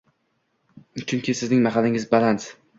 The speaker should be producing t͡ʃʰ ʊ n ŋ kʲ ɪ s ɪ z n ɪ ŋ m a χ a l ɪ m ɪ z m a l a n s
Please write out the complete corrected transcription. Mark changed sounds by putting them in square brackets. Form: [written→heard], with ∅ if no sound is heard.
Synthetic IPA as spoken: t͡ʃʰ ʊ [n→∅] ŋ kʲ ɪ s ɪ z n ɪ ŋ m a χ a l ɪ [m→ŋ] ɪ z [m→b] a l a n s